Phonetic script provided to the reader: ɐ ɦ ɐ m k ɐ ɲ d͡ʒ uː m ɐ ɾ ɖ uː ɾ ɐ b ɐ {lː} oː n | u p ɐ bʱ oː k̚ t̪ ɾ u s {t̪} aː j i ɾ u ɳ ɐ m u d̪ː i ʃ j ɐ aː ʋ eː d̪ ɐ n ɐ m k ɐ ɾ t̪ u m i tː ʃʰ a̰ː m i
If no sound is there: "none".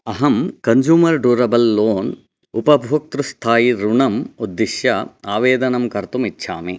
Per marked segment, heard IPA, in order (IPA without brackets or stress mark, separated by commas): lː, t̪ʰ